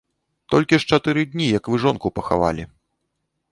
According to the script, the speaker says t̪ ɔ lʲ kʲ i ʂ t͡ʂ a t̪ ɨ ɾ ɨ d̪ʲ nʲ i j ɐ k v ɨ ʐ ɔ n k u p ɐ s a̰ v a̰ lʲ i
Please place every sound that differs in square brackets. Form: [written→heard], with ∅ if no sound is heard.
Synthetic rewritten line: t̪ ɔ lʲ kʲ i ʂ t͡ʂ a t̪ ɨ ɾ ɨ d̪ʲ nʲ i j ɐ k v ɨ ʐ ɔ n k u p ɐ [s→x] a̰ v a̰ lʲ i